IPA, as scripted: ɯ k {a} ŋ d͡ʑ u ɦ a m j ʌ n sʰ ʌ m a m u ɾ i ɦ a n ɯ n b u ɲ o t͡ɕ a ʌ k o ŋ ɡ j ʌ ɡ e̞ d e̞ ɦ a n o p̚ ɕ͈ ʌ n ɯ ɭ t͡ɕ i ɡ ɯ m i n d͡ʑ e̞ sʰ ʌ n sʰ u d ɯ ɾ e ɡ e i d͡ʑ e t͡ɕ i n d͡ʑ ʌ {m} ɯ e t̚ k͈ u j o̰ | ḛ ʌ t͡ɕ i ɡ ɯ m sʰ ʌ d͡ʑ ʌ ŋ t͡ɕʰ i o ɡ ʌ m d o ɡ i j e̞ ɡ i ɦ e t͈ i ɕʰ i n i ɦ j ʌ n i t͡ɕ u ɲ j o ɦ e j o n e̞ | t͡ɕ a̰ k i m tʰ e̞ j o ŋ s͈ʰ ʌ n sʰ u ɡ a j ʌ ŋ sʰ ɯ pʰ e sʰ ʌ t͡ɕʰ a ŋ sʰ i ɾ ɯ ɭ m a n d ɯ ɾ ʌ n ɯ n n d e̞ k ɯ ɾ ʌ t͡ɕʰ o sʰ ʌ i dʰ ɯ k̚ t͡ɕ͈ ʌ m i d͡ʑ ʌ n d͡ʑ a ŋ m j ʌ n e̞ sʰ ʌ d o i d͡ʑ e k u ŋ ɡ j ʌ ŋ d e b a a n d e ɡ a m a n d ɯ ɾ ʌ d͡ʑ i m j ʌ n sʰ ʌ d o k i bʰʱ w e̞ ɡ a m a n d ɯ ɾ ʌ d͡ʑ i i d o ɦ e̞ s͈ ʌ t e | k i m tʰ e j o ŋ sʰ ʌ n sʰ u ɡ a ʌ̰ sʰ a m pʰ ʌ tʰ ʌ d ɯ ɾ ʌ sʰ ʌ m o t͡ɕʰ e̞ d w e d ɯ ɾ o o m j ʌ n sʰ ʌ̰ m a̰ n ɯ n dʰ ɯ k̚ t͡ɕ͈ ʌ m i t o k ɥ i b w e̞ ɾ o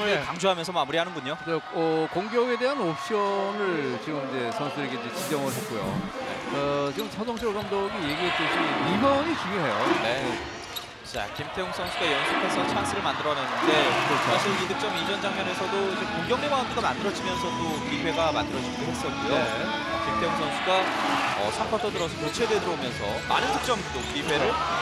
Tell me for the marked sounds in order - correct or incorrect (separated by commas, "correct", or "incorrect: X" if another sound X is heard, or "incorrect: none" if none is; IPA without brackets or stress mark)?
correct, incorrect: ŋ